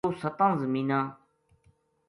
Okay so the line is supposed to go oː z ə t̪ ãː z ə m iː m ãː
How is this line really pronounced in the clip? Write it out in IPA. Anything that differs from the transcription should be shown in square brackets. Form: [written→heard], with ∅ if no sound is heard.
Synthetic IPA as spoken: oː [z→s] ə t̪ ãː z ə m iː [m→n] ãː